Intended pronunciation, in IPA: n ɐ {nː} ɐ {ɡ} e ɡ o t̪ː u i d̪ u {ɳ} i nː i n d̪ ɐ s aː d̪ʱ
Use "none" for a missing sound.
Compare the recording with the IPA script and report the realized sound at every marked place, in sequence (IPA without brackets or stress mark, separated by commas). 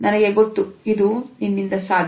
n, ɡ, n